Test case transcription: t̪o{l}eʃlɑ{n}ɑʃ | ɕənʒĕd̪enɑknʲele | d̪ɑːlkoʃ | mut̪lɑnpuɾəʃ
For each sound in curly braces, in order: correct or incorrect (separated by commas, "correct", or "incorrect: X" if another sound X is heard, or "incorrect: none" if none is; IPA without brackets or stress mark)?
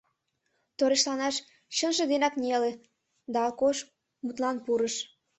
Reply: incorrect: ɾ, correct